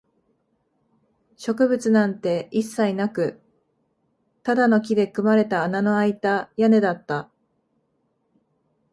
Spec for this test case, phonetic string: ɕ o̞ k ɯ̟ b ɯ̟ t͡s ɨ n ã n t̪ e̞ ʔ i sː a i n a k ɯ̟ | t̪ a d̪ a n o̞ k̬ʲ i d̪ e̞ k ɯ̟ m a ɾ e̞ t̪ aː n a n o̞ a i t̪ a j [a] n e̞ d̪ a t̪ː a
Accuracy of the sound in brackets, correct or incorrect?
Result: correct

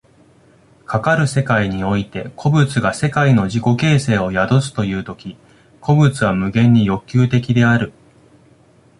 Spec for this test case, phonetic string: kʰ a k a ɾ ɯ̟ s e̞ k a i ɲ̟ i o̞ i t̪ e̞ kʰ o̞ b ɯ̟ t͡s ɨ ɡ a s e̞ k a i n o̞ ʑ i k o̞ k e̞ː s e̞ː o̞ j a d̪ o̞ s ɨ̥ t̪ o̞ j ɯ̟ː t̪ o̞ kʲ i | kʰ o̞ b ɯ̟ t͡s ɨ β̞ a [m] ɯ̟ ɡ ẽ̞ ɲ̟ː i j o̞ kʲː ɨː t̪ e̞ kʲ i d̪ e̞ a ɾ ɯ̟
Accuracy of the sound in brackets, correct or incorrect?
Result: correct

